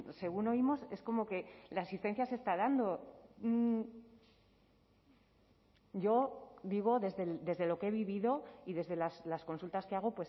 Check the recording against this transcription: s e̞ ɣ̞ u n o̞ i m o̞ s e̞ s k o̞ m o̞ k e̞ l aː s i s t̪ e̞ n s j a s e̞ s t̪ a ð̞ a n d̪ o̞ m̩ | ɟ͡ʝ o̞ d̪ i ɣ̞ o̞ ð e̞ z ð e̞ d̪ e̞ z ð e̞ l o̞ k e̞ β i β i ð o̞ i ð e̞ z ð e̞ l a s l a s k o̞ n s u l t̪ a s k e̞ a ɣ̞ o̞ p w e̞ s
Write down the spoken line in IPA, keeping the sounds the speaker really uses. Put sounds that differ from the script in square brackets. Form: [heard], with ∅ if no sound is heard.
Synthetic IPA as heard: s e̞ ɣ̞ u n o̞ i m o̞ s e̞ s k o̞ m o̞ k e̞ l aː s i s t̪ e̞ n [θ] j a s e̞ s t̪ a ð̞ a n d̪ o̞ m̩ | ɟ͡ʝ o̞ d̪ i ɣ̞ o̞ ð e̞ z ð e̞ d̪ e̞ z ð e̞ l o̞ k e̞ β i β i ð o̞ i ð e̞ z ð e̞ l a s l a s k o̞ n s u l t̪ a s k e̞ a ɣ̞ o̞ p w e̞ s

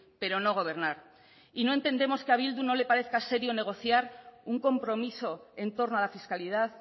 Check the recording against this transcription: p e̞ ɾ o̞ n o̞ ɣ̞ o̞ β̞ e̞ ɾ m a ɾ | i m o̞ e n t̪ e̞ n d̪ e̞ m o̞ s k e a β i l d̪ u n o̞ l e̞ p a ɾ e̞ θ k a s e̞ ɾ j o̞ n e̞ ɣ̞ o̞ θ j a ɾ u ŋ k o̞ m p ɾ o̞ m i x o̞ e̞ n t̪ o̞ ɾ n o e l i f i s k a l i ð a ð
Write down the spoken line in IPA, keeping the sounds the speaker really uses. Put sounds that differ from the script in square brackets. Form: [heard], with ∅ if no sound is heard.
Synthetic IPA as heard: p e̞ ɾ o̞ n o̞ ɣ̞ o̞ β̞ e̞ ɾ [n] a ɾ | i [n] o̞ e n t̪ e̞ n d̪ e̞ m o̞ s k e a β i l d̪ u n o̞ l e̞ p a ɾ e̞ θ k a s e̞ ɾ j o̞ n e̞ ɣ̞ o̞ θ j a ɾ u ŋ k o̞ m p ɾ o̞ m i [s] o̞ e̞ n t̪ o̞ ɾ n o [a] l [a] f i s k a l i ð a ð

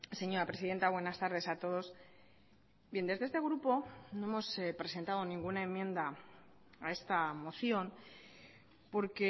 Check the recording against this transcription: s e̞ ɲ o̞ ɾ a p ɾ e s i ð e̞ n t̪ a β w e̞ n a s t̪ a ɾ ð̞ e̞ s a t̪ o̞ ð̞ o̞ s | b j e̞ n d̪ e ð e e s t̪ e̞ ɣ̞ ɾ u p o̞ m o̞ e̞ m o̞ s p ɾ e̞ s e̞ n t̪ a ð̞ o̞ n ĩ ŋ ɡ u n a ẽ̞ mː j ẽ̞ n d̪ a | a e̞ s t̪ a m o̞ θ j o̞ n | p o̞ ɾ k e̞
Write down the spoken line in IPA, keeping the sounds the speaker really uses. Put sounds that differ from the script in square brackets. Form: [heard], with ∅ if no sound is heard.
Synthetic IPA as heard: s e̞ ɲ o̞ ɾ a p ɾ e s i ð e̞ n t̪ a β w e̞ n a s t̪ a ɾ ð̞ e̞ s a t̪ o̞ ð̞ o̞ s | b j e̞ n d̪ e ð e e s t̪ e̞ ɣ̞ ɾ u p o̞ [n] o̞ e̞ m o̞ s p ɾ e̞ s e̞ n t̪ a ð̞ o̞ n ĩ ŋ ɡ u n a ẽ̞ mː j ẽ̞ n d̪ a | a e̞ s t̪ a m o̞ θ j o̞ n | p o̞ ɾ k e̞

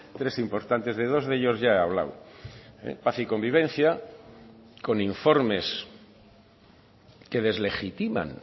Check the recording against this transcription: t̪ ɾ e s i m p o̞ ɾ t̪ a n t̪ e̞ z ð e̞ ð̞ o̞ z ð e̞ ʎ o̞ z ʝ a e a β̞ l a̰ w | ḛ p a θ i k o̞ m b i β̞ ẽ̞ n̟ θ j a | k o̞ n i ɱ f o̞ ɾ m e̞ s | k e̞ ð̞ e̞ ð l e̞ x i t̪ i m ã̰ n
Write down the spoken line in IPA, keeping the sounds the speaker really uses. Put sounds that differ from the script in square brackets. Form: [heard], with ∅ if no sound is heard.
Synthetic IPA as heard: t̪ ɾ e s i m p o̞ ɾ t̪ a n t̪ e̞ z ð e̞ ð̞ o̞ z ð e̞ ʎ o̞ z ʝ a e a β̞ l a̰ w | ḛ p a θ i k o̞ m b i β̞ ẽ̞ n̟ θ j a | k o̞ n i ɱ f o̞ ɾ m e̞ s | k e̞ ð̞ e̞ [z] l e̞ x i t̪ i m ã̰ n

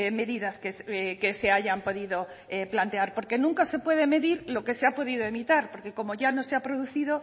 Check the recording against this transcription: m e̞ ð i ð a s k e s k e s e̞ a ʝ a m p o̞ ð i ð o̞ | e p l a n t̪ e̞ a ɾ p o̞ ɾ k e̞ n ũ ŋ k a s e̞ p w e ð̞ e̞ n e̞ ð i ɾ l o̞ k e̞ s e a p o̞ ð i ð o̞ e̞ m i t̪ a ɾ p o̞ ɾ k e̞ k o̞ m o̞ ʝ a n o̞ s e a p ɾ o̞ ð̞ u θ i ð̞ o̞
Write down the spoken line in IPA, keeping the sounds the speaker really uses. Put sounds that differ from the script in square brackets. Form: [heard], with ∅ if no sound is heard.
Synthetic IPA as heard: m e̞ ð i ð a s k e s k e s e̞ a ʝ a m p o̞ ð i ð o̞ | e p l a n t̪ e̞ a ɾ p o̞ ɾ k e̞ n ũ ŋ k a s e̞ p w e ð̞ e̞ [m] e̞ ð i ɾ l o̞ k e̞ s e a p o̞ ð i ð o̞ e̞ m i t̪ a ɾ p o̞ ɾ k e̞ k o̞ m o̞ ʝ a n o̞ s e a p ɾ o̞ ð̞ u θ i ð̞ o̞

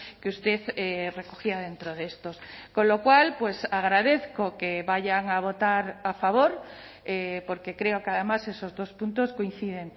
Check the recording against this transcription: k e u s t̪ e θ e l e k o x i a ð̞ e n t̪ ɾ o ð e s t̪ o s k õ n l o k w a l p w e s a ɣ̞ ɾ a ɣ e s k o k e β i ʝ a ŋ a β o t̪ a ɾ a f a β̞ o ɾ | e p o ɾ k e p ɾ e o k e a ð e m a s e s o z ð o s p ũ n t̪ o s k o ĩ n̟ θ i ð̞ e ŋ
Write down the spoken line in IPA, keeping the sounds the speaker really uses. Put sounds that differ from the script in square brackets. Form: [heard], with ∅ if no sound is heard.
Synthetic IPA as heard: k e u s t̪ e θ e [r] e k o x i a ð̞ e n t̪ ɾ o ð e s t̪ o s k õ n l o k w a l p w e s a ɣ̞ ɾ a [ð] e [θ] k o k e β [a] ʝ a ŋ a β o t̪ a ɾ a f a β̞ o ɾ | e p o ɾ k e [k] ɾ e o k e a ð e m a s e s o z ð o s p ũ n t̪ o s k o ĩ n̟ θ i ð̞ e ŋ

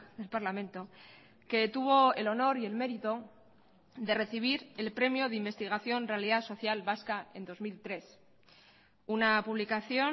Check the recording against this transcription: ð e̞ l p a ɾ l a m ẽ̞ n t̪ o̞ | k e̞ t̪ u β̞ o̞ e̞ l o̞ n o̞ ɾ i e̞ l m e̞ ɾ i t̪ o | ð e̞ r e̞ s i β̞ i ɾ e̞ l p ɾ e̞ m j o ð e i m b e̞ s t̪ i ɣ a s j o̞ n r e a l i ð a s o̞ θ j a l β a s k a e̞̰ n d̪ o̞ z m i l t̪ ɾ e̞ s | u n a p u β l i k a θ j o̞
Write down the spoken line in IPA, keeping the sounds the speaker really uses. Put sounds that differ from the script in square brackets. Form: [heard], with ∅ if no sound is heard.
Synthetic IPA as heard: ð e̞ l p a ɾ l a m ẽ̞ n t̪ o̞ | k e̞ t̪ u β̞ o̞ e̞ l o̞ n o̞ ɾ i e̞ l m e̞ ɾ i t̪ o | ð e̞ r e̞ [θ] i β̞ i ɾ e̞ l p ɾ e̞ m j o ð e i m b e̞ s t̪ i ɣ a [θ] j o̞ n r e a l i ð a s o̞ θ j a l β a s k a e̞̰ n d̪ o̞ z m i l t̪ ɾ e̞ s | u n a p u β l i k a θ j o̞

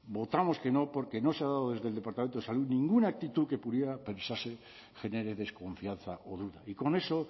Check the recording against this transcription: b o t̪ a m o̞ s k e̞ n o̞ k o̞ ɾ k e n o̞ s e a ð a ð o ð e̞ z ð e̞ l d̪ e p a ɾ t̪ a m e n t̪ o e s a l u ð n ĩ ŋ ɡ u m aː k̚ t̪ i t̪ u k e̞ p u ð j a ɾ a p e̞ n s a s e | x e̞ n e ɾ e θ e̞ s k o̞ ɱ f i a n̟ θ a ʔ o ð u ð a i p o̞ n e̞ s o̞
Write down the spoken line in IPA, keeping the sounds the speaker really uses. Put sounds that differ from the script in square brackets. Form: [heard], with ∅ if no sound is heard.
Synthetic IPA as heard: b o t̪ a m o̞ s k e̞ n o̞ [p] o̞ ɾ k e n o̞ s e a ð a ð o ð e̞ z ð e̞ l d̪ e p a ɾ t̪ a m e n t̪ o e s a l u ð n ĩ ŋ ɡ u [n] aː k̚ t̪ i t̪ u k e̞ p u ð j [e] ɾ a p e̞ n s a s e | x e̞ n e ɾ e [ð] e̞ s k o̞ ɱ f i a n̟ θ a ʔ o ð u ð a i [k] o̞ n e̞ s o̞

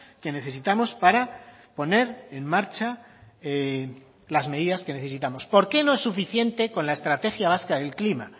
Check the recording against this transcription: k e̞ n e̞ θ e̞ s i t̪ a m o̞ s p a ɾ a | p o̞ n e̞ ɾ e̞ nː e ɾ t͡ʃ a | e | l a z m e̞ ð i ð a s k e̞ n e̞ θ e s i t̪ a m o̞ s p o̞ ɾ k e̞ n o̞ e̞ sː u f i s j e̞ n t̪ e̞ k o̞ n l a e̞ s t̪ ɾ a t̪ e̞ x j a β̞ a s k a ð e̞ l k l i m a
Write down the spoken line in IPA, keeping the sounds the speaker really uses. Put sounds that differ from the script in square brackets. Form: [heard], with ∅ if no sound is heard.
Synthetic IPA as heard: k e̞ n e̞ θ e̞ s i t̪ a m o̞ s p a ɾ a | p o̞ n e̞ ɾ e̞ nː [a] ɾ t͡ʃ a | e | l a z m e̞ ð i ð a s k e̞ n e̞ θ e s i t̪ a m o̞ s p o̞ ɾ k e̞ n o̞ e̞ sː u f i [θ] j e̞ n t̪ e̞ k o̞ n l a e̞ s t̪ ɾ a t̪ e̞ x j a β̞ a s k a ð e̞ l k l i m a

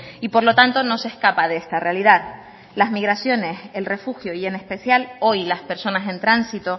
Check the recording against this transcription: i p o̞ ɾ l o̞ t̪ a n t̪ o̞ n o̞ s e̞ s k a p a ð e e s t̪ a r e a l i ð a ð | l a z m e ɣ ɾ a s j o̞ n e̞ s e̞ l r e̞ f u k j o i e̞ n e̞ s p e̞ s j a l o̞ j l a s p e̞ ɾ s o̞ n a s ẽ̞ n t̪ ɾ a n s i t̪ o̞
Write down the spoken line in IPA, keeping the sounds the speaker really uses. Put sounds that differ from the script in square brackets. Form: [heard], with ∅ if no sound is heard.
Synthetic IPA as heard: i p o̞ ɾ l o̞ t̪ a n t̪ o̞ n o̞ s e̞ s k a p a ð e e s t̪ a r e a l i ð a ð | l a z m [i] ɣ ɾ a s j o̞ n e̞ s e̞ l r e̞ f u [x] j o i e̞ n e̞ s p e̞ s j a l o̞ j l a s p e̞ ɾ s o̞ n a s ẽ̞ n t̪ ɾ a n s i t̪ o̞

